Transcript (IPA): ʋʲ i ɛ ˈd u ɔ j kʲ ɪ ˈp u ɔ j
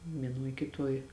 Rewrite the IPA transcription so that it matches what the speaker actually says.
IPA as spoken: ʋʲ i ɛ ˈn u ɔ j kʲ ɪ ˈt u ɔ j